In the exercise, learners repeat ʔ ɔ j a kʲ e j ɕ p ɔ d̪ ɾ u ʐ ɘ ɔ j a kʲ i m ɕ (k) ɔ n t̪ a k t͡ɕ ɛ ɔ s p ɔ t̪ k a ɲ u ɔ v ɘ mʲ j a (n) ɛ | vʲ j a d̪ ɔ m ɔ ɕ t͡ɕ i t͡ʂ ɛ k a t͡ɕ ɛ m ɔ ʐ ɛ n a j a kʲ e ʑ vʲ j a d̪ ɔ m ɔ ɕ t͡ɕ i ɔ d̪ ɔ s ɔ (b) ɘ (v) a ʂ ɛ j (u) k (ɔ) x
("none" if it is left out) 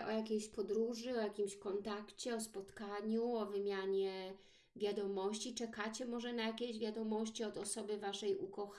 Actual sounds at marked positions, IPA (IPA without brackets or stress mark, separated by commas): k, ɲ, b, v, u, ɔ